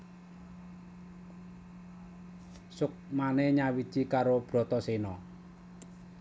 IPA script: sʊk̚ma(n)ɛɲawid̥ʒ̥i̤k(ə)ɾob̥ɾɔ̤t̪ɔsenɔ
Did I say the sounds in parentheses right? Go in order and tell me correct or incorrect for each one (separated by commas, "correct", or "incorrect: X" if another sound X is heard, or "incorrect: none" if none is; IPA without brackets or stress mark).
correct, incorrect: a